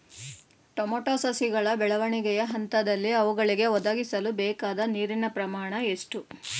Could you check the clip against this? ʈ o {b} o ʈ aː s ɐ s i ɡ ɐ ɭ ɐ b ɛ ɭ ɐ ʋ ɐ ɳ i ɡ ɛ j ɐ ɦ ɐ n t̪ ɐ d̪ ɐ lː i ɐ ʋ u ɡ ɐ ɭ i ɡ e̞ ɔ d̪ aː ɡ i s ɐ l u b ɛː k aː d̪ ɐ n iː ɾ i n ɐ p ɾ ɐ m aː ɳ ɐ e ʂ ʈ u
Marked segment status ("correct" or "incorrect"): incorrect